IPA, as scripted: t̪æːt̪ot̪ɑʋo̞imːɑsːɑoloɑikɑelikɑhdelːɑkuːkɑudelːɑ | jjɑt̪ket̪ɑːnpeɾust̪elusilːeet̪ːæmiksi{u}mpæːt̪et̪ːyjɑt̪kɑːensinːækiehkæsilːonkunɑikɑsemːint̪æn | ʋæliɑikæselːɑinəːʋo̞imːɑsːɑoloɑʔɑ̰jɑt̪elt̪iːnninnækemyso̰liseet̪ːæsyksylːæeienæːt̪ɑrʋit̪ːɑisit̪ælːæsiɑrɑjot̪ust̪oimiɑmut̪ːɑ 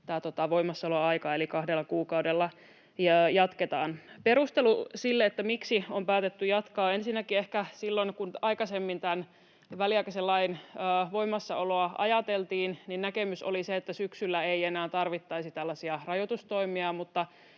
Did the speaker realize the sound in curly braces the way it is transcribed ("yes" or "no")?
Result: no